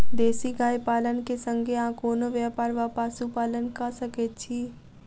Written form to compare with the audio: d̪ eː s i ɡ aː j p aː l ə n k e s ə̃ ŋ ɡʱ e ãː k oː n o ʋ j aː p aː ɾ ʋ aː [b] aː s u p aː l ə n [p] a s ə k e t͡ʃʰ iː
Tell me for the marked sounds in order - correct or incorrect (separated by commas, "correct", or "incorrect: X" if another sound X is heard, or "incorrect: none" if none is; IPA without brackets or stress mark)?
incorrect: p, incorrect: k